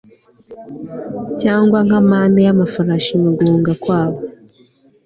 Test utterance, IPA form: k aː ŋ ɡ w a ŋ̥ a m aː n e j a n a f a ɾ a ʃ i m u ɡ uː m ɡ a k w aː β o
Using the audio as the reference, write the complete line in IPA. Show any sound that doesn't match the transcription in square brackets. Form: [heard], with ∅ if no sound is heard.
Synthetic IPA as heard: [c] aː ŋ ɡ w a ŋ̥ a m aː n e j a [m] a f a ɾ a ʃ i m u ɡ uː [ŋ] ɡ a k w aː β o

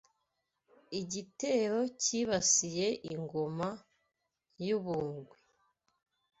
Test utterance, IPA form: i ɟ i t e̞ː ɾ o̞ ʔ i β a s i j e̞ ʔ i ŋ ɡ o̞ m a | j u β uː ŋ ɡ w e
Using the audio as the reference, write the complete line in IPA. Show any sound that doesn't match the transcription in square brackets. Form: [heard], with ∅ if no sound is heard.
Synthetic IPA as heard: i ɟ i t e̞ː ɾ o̞ [c] i β a s i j e̞ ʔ i ŋ ɡ o̞ m a | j u β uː ŋ ɡ w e

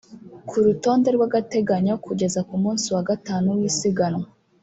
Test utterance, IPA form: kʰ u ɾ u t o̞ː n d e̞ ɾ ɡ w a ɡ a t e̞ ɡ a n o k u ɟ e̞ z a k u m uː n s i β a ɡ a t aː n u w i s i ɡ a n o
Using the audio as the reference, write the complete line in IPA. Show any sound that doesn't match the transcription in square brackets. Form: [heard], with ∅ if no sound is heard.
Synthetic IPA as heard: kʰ u ɾ u t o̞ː n d e̞ ɾ ɡ w a ɡ a t e̞ ɡ a [ɲ] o k u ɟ e̞ z a k u m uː n s i [w] a ɡ a t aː n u w i s i ɡ a n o

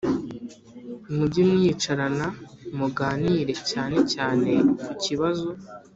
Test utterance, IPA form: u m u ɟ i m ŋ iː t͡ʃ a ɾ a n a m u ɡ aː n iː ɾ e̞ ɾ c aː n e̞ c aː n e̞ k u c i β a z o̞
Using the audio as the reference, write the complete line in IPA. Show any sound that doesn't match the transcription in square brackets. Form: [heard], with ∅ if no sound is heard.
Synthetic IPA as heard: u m u ɟ i m ŋ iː t͡ʃ a ɾ a n a m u ɡ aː n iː ɾ e̞ [∅] c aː n e̞ c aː n e̞ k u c i β a z o̞

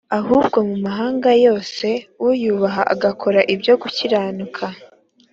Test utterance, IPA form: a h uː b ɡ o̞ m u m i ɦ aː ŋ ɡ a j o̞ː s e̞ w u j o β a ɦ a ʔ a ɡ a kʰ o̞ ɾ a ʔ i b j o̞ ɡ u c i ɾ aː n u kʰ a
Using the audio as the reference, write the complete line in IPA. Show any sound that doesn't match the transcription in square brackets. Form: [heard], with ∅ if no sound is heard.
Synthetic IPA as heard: a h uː b ɡ o̞ m u m [a] ɦ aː ŋ ɡ a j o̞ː s e̞ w u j [u] β a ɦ a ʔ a ɡ a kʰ o̞ ɾ a ʔ i b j o̞ ɡ u c i ɾ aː n u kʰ a

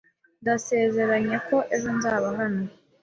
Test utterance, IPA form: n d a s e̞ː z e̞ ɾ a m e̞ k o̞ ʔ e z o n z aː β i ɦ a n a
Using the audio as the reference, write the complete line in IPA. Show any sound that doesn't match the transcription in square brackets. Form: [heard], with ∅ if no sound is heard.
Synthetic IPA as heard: n d a s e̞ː z e̞ ɾ a [ɲ] e̞ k o̞ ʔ e z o n z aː β [a] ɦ a n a

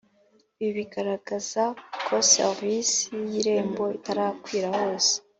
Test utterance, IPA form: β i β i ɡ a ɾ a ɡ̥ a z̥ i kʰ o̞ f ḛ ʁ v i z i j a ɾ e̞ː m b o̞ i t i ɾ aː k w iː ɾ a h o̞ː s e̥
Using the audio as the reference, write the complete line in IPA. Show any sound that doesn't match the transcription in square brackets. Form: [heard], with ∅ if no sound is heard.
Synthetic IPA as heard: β i β i ɡ a ɾ a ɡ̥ a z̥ [a] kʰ o̞ [s] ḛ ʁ v i [s] i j [i] ɾ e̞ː m b o̞ i t [a] ɾ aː k w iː ɾ a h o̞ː s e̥

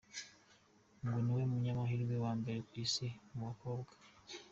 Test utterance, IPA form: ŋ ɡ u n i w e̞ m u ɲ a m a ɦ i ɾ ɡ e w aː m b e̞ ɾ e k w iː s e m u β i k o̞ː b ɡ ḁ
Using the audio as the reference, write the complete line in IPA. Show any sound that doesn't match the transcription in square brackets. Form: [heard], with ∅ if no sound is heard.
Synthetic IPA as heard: ŋ ɡ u n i w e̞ m u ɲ a m a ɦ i ɾ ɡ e w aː m b e̞ ɾ e k w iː s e m u β [a] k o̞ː b ɡ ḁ

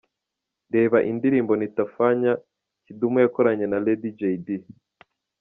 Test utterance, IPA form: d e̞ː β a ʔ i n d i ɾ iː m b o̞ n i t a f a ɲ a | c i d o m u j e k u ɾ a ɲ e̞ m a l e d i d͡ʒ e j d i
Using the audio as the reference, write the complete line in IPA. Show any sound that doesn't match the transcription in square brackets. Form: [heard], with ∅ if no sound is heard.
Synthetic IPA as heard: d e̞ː β a ʔ i n d i ɾ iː m b o̞ n i t a f a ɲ a | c i d [u] m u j [a] k [o] ɾ a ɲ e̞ [n] a l e d i d͡ʒ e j d i

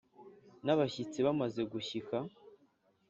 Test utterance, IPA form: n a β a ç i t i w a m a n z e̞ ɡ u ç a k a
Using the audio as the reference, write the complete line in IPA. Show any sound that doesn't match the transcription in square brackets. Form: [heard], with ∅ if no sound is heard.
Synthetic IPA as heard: n a β a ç i [t͡s] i [β] a m a [∅] z e̞ ɡ u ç [i] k a

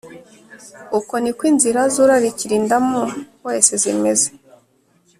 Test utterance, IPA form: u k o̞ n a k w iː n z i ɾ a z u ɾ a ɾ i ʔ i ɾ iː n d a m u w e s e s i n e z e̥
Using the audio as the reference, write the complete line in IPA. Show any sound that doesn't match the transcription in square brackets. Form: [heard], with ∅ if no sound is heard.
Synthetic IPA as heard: u k o̞ n [i] k w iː n z i ɾ a z u ɾ a ɾ i [c] i ɾ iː n d a m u w e s e [z] i [m] e z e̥

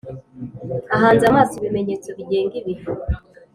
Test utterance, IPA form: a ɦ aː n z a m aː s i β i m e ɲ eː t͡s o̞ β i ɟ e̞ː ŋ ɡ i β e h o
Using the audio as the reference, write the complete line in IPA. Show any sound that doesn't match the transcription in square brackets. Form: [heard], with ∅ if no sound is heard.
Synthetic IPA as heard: a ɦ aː n z a m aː s i β i m e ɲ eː t͡s o̞ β i ɟ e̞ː ŋ ɡ i β [i] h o

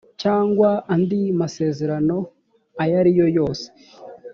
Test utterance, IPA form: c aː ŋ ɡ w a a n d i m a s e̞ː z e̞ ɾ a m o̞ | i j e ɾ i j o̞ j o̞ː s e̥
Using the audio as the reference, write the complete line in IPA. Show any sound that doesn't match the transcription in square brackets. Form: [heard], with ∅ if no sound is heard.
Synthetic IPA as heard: c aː ŋ ɡ w a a n d i m a s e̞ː z e̞ ɾ a [n] o̞ | [a] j [a] ɾ i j o̞ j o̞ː s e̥

